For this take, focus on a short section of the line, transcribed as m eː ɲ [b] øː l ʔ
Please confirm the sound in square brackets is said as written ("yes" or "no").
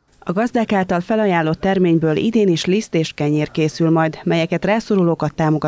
yes